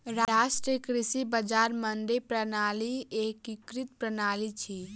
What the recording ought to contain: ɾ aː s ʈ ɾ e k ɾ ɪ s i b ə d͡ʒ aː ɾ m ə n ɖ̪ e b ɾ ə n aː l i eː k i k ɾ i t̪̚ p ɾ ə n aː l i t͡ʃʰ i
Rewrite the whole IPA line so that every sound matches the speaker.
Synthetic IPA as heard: ɾ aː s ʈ ɾ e k ɾ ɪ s i b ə d͡ʒ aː ɾ m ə n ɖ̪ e p ɾ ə n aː l i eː k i k ɾ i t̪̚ p ɾ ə n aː l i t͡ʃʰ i